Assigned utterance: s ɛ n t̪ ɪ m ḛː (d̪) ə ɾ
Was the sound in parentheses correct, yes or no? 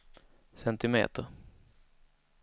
no